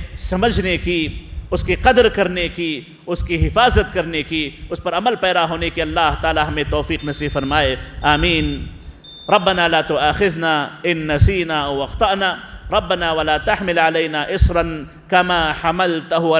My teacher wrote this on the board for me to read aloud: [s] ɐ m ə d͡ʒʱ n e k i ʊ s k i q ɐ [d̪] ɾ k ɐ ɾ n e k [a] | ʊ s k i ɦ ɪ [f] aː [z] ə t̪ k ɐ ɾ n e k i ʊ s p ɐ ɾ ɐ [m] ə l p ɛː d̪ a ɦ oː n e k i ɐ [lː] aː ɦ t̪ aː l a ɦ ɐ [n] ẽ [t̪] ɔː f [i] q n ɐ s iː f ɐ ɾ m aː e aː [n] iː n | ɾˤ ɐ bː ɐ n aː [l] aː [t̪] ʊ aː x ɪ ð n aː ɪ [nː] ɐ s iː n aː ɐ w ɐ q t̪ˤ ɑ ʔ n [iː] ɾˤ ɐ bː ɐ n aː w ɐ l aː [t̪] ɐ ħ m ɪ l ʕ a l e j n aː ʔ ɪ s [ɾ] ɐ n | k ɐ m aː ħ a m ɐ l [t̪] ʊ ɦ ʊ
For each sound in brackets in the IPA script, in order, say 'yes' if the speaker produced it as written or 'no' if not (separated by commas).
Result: yes, yes, no, yes, yes, yes, yes, no, yes, no, no, yes, yes, yes, no, yes, yes, yes